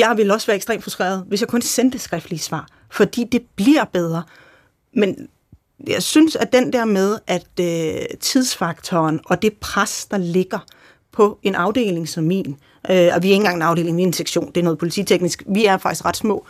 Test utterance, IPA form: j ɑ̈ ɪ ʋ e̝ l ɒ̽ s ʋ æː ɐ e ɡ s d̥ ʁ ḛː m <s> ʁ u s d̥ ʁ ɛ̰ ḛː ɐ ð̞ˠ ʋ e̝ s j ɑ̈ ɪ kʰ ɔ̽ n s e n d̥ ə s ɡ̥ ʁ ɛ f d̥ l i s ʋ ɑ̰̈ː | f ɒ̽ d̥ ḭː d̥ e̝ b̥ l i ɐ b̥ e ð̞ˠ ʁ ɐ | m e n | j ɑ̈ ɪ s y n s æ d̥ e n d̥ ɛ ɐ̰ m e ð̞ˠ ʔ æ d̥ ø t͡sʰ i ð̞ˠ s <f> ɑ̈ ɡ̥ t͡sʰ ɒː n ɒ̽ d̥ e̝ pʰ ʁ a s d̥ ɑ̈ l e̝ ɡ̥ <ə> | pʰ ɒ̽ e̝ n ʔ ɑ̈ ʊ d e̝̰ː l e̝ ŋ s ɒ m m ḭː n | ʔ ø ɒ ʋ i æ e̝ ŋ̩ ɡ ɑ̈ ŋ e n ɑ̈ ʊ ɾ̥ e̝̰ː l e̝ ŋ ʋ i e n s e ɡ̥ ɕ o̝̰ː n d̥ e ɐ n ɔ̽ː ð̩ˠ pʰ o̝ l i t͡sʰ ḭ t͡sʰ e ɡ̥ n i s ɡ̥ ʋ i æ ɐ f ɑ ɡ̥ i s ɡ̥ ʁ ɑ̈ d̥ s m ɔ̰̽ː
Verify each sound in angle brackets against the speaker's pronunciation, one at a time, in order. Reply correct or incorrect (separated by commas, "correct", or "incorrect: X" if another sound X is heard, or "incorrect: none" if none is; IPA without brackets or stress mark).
incorrect: f, correct, incorrect: ɐ